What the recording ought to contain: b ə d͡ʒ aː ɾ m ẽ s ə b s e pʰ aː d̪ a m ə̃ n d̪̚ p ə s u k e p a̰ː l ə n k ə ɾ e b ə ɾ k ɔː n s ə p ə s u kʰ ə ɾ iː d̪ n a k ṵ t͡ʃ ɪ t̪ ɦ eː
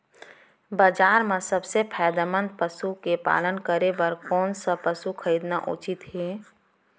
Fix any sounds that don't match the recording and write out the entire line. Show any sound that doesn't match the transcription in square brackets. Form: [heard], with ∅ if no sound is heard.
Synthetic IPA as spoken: b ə d͡ʒ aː ɾ m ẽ s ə b s e pʰ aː d̪ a m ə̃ n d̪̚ p ə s u k e p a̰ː l ə n k ə ɾ e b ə ɾ k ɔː n s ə p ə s u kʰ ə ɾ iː d̪ n a [ʔ] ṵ t͡ʃ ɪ t̪ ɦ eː